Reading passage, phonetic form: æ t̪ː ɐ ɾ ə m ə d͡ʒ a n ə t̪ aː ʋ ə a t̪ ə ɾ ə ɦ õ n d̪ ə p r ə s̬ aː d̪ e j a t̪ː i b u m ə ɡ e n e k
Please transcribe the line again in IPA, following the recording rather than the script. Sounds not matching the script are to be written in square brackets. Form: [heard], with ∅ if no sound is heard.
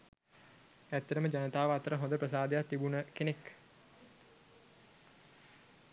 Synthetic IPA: æ t̪ː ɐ ɾ ə m ə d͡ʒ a n ə t̪ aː ʋ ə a t̪ ə ɾ ə ɦ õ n d̪ ə p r ə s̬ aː d̪ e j a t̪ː i b u [n] ə [k] e n e k

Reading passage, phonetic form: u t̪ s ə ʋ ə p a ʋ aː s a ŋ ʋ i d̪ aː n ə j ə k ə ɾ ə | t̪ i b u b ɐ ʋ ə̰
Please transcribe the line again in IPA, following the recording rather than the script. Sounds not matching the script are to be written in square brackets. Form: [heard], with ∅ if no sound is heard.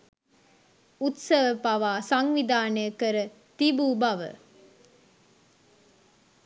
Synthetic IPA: u t̪ s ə ʋ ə p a ʋ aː s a ŋ ʋ i d̪ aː n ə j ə k ə ɾ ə | t̪ i b u b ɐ ʋ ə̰

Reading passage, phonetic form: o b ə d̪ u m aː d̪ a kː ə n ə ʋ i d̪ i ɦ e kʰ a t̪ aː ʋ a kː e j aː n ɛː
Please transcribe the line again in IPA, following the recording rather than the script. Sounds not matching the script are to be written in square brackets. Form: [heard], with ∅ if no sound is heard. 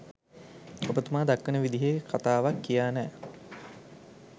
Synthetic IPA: o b ə [t̪] u m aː d̪ a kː ə n ə ʋ i d̪ i ɦ e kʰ a t̪ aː ʋ a kː [i] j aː n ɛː

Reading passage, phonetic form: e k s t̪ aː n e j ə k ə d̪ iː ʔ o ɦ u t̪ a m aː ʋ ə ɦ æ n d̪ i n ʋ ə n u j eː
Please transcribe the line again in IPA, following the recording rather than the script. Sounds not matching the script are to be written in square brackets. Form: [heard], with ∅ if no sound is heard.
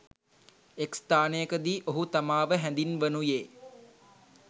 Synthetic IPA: e k s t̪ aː n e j ə k ə d̪ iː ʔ o ɦ u t̪ a m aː ʋ ə ɦ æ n d̪ i n ʋ ə n u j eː

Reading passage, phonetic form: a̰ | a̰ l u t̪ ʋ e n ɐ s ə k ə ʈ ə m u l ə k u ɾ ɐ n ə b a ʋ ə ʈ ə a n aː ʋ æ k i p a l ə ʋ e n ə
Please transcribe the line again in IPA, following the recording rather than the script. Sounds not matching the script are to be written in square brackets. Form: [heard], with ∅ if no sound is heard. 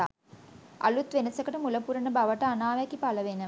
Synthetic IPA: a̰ | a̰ l u t̪ ʋ e n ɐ s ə k ə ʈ ə m u l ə [p] u ɾ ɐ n ə b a ʋ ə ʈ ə a n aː ʋ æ k i p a l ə ʋ e n ə

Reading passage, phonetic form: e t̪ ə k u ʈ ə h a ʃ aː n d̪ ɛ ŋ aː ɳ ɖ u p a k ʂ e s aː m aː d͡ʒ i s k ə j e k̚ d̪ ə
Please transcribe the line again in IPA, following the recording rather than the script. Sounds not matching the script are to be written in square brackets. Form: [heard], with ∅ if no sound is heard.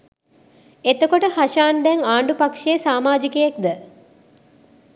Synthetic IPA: e t̪ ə k [o] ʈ ə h a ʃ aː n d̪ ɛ ŋ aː ɳ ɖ u p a k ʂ e s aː m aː d͡ʒ i [∅] k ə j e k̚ d̪ ə

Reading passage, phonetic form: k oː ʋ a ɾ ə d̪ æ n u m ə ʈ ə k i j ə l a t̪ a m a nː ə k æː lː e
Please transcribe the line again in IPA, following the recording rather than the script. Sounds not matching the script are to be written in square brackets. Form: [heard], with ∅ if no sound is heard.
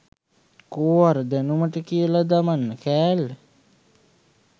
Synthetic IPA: k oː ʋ a ɾ ə d̪ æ n u m ə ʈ ə k i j ə l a [d̪] a m a nː ə k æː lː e

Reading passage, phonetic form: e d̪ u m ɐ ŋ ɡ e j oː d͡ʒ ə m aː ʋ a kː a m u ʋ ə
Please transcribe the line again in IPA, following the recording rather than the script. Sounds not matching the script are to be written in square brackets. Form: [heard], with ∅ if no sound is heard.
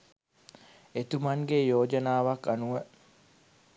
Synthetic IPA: e [t̪] u m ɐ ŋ ɡ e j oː d͡ʒ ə [n] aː ʋ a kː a [n] u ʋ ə

